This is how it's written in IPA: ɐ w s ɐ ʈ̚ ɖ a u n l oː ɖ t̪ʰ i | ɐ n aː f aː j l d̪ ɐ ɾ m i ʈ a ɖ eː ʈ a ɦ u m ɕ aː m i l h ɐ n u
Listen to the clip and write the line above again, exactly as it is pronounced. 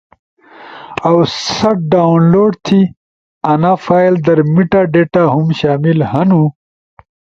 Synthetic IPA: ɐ w s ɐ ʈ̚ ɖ a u n l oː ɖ t̪ʰ i | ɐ n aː f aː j l d̪ ɐ ɾ m i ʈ a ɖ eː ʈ a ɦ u m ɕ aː m i l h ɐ n u